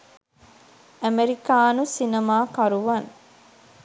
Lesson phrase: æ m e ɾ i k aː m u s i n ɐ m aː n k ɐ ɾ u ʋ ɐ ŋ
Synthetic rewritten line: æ m e ɾ i k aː n u s i n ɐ m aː k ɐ ɾ u ʋ ɐ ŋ